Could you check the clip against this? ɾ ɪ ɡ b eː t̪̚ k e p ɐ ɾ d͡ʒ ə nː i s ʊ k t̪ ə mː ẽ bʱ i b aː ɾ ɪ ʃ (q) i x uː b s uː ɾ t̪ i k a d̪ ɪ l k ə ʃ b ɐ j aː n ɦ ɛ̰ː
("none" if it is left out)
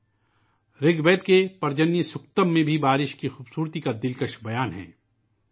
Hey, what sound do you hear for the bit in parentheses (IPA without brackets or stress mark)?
k